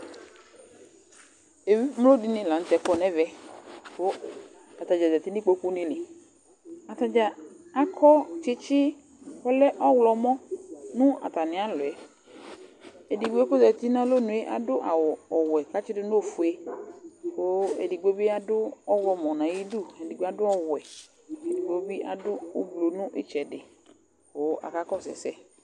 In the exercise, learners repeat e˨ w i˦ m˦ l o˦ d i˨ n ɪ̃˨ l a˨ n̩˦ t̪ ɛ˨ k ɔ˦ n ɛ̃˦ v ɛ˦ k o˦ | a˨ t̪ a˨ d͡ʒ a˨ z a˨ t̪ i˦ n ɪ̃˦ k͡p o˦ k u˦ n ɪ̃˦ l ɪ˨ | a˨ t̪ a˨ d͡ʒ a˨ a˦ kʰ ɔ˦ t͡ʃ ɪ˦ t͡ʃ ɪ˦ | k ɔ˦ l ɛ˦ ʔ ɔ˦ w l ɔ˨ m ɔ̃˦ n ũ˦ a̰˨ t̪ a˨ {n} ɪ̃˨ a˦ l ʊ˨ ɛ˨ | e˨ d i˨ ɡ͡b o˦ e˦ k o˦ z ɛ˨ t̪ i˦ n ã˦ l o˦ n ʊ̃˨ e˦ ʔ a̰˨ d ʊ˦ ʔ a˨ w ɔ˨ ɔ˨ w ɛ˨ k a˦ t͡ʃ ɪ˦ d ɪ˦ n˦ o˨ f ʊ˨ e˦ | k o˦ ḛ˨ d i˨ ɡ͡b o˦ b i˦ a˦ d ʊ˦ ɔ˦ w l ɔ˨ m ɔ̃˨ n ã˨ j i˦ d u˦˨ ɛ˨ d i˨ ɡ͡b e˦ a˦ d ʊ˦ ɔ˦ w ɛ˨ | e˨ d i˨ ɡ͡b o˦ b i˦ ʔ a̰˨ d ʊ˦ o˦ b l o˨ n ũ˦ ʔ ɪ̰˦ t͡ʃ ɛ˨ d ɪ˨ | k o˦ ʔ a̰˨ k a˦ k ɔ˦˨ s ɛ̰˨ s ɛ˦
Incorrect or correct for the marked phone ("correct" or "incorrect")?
correct